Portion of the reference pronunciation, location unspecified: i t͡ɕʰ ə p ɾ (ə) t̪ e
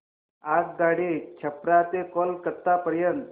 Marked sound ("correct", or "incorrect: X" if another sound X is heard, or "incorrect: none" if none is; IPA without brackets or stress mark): incorrect: a